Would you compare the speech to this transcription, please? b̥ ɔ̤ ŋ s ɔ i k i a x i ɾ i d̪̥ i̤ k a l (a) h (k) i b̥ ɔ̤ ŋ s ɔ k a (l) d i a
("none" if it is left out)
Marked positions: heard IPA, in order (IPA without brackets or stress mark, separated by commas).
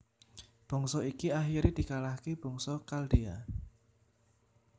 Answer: a, k, l